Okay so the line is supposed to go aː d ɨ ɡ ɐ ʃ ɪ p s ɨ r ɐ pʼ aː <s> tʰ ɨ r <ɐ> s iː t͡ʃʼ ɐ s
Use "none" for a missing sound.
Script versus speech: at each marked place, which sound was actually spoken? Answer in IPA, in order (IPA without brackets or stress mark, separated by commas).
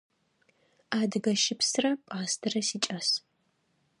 s, ɐ